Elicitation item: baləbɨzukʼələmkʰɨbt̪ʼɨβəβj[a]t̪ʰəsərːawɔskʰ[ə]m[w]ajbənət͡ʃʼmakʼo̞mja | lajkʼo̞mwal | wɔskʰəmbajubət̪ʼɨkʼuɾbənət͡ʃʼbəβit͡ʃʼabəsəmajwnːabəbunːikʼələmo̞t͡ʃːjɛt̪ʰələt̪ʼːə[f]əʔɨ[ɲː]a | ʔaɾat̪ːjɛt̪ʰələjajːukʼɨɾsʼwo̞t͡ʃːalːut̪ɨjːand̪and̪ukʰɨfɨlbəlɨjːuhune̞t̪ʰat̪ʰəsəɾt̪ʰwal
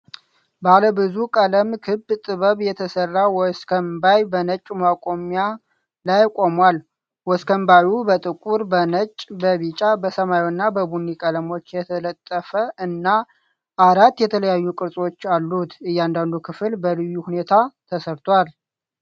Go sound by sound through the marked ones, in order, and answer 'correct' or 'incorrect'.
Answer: incorrect, correct, incorrect, correct, incorrect

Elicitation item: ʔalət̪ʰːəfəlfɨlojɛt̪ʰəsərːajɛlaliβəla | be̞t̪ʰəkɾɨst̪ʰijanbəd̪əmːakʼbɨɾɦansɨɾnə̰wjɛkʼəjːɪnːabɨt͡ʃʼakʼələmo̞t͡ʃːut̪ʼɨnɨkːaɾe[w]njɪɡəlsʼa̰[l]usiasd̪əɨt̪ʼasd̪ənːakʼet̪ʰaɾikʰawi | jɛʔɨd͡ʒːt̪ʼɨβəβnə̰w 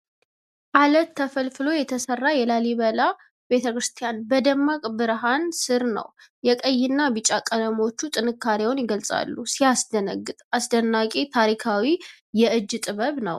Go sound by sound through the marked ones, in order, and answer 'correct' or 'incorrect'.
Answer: correct, incorrect

